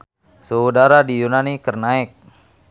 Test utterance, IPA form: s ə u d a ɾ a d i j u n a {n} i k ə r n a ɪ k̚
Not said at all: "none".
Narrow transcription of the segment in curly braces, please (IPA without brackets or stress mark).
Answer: n